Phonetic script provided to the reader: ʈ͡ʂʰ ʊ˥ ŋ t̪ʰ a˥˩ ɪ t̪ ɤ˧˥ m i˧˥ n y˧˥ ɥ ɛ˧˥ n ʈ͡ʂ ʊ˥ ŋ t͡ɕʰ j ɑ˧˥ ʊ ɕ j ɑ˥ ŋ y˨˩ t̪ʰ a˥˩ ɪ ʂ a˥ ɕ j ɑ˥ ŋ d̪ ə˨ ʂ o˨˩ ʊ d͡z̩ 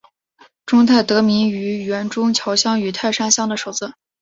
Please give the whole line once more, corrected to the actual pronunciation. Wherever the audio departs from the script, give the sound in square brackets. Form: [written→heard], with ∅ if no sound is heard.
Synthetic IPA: [ʈ͡ʂʰ→ʈ͡ʂ] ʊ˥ ŋ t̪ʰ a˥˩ ɪ t̪ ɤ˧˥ m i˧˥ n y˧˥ ɥ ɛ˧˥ n ʈ͡ʂ ʊ˥ ŋ t͡ɕʰ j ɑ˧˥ ʊ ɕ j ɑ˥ ŋ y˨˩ t̪ʰ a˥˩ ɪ ʂ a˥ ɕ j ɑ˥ ŋ d̪ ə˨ ʂ o˨˩ ʊ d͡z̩

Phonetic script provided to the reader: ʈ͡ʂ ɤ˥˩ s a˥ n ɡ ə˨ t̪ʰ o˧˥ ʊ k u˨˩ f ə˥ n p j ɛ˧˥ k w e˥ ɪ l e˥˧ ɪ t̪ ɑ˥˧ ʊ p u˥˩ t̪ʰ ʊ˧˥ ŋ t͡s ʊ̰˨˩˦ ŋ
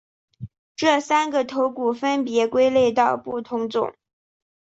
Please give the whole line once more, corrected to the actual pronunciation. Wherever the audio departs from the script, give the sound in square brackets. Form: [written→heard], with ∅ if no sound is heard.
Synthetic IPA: ʈ͡ʂ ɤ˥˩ s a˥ n ɡ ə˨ t̪ʰ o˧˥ ʊ k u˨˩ f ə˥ n p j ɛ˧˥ k w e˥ ɪ l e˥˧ ɪ t̪ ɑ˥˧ ʊ p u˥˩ t̪ʰ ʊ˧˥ ŋ t͡s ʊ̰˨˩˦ ŋ

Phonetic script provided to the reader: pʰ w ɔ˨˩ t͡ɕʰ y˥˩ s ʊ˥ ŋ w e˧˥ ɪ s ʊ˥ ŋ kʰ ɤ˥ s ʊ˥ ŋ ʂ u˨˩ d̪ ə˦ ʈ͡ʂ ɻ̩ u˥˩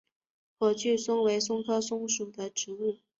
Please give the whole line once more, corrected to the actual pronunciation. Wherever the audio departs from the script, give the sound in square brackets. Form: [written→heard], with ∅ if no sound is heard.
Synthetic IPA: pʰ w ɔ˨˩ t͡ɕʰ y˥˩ s ʊ˥ ŋ w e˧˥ ɪ s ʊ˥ ŋ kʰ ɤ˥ s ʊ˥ ŋ ʂ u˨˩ d̪ ə˦ ʈ͡ʂ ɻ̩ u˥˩

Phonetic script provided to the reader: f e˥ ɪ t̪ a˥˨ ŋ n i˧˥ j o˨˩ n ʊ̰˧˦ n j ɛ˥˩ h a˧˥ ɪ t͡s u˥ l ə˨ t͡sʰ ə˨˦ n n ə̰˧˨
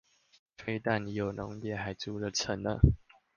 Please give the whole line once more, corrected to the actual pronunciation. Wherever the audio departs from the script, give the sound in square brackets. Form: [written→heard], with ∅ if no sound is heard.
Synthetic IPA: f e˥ ɪ t̪ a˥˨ [ŋ→n] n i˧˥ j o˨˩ n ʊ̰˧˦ [n→ŋ] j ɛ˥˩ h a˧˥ ɪ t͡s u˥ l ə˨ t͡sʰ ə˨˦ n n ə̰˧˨

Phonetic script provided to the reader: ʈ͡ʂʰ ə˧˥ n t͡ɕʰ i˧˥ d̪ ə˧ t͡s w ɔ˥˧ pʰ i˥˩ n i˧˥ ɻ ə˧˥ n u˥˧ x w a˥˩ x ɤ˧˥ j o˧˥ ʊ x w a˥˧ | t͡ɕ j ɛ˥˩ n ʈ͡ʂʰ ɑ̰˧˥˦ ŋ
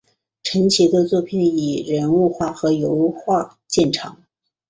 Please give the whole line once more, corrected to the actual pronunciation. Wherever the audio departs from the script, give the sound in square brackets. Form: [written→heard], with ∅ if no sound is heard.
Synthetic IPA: ʈ͡ʂʰ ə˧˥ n t͡ɕʰ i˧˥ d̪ ə˧ t͡s w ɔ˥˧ pʰ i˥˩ n [i˧˥→i˨˩] ɻ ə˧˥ n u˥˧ x w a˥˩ x ɤ˧˥ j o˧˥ ʊ x w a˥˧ | t͡ɕ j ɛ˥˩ n ʈ͡ʂʰ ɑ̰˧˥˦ ŋ

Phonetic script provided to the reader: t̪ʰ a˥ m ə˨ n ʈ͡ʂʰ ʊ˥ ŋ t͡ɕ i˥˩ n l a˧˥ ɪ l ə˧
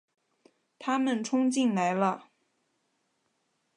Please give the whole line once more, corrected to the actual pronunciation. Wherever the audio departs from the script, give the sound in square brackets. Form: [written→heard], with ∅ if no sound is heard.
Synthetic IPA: t̪ʰ a˥ m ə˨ n ʈ͡ʂʰ ʊ˥ ŋ t͡ɕ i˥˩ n l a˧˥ ɪ l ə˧

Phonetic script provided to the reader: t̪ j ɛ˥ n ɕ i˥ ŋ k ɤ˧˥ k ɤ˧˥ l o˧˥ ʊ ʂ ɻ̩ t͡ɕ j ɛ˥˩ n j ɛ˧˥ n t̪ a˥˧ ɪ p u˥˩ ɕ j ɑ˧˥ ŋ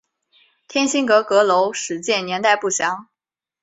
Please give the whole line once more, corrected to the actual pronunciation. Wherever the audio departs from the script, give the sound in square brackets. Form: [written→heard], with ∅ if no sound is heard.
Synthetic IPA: [t̪→t̪ʰ] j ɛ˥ n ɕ i˥ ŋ k ɤ˧˥ k ɤ˧˥ l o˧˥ ʊ ʂ ɻ̩ t͡ɕ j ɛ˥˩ n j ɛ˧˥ n t̪ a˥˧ ɪ p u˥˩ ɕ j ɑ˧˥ ŋ

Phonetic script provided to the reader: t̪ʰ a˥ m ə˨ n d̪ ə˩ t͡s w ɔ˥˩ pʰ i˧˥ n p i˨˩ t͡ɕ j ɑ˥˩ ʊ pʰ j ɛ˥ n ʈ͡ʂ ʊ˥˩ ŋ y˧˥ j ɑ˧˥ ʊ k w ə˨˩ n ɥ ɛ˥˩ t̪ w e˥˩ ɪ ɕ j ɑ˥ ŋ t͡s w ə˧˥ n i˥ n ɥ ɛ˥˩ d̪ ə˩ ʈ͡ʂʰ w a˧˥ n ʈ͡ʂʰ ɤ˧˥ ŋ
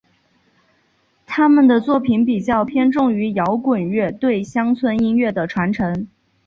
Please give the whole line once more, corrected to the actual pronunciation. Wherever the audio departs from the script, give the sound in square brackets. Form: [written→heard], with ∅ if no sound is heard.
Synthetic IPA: t̪ʰ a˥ m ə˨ n d̪ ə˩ t͡s w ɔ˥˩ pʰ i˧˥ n p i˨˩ t͡ɕ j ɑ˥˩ ʊ pʰ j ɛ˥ n ʈ͡ʂ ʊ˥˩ ŋ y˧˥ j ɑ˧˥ ʊ k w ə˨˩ n ɥ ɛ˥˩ t̪ w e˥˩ ɪ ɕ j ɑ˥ ŋ [t͡s→t͡sʰ] w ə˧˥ n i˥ n ɥ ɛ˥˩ d̪ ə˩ ʈ͡ʂʰ w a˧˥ n ʈ͡ʂʰ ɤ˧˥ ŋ

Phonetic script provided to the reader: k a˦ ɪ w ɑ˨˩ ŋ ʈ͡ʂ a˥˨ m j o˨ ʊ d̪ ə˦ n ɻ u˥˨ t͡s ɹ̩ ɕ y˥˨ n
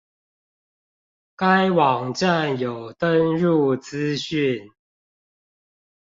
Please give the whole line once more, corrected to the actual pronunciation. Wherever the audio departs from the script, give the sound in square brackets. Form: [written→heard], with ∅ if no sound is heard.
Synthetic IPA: k a˦ ɪ w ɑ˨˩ ŋ ʈ͡ʂ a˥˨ [m→n] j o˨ ʊ [d̪→t̪] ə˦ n ɻ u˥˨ t͡s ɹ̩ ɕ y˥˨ n

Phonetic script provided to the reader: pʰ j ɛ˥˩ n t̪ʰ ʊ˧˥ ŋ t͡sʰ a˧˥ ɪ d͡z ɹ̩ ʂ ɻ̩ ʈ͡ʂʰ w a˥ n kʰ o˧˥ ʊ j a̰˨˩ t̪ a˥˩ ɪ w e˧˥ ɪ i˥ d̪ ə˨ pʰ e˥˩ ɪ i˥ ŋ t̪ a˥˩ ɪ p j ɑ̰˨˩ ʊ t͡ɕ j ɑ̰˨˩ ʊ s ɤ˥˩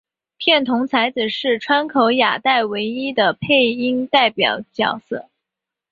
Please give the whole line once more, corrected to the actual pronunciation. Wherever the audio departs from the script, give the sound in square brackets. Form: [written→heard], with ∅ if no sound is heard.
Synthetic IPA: pʰ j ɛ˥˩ n t̪ʰ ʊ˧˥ ŋ t͡sʰ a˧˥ ɪ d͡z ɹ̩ ʂ ɻ̩ ʈ͡ʂʰ w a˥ n kʰ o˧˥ ʊ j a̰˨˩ t̪ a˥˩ ɪ w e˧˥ ɪ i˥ d̪ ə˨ pʰ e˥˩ ɪ i˥ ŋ t̪ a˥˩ ɪ p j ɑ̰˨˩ ʊ t͡ɕ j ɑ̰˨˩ ʊ s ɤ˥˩

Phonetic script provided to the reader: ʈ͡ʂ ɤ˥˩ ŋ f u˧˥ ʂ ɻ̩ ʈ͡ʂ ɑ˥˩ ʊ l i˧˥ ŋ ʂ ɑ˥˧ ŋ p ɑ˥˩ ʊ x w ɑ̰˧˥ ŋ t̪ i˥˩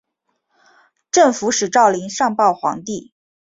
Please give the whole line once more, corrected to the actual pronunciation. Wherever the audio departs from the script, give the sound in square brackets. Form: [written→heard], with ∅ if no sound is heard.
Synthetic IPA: ʈ͡ʂ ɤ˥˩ ŋ f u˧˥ ʂ ɻ̩ ʈ͡ʂ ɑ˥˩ ʊ l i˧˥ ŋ ʂ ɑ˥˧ ŋ p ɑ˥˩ ʊ x w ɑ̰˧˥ ŋ t̪ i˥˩

